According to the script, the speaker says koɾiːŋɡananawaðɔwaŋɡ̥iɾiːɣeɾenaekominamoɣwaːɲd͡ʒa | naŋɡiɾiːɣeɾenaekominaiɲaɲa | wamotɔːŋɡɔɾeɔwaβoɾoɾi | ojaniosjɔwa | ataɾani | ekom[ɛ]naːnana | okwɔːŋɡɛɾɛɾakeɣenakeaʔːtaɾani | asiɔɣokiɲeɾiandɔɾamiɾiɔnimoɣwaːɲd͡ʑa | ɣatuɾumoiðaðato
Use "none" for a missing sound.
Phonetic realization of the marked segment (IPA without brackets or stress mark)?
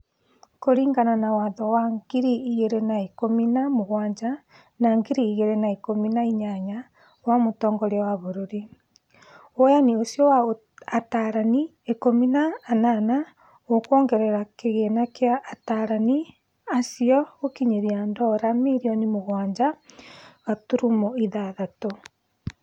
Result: i